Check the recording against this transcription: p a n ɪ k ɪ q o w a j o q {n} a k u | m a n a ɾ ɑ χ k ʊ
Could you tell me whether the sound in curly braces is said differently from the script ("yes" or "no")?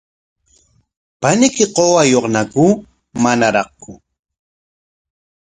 no